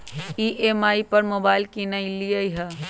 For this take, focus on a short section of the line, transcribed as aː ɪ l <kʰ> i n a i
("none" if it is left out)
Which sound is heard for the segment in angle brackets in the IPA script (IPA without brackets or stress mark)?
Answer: k